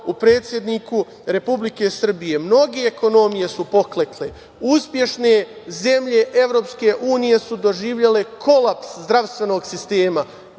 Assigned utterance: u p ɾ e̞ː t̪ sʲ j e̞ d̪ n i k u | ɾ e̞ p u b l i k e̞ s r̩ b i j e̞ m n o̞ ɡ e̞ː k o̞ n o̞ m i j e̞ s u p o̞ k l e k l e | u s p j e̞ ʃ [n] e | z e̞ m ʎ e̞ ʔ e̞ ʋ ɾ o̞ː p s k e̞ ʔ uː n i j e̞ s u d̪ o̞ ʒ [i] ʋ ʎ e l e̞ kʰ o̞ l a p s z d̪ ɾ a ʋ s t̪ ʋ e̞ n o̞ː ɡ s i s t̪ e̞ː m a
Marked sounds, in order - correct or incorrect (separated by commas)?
correct, incorrect